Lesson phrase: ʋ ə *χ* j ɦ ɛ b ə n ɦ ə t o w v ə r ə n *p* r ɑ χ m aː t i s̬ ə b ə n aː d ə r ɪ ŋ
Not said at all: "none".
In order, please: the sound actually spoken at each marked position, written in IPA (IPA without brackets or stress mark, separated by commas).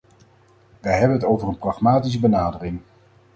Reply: none, p